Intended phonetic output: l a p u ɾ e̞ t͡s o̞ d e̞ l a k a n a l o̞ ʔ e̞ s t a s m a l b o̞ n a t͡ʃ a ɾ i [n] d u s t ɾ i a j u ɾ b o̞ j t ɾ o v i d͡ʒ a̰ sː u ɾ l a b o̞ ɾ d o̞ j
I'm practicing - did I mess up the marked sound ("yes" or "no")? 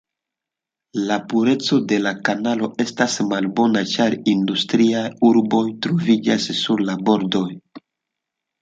no